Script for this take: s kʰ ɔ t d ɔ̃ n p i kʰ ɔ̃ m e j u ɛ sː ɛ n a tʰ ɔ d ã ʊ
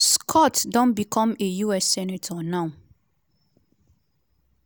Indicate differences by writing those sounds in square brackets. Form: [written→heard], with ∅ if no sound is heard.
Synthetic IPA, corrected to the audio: s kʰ ɔ t d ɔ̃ n [p→b] i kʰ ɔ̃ m e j u ɛ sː ɛ n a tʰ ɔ [d→n] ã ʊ